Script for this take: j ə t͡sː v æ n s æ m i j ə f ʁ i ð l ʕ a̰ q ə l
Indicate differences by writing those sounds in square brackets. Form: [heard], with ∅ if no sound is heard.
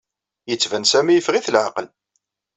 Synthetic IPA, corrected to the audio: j ə t͡sː v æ n s æ m i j ə f ʁ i [θ] l ʕ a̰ q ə l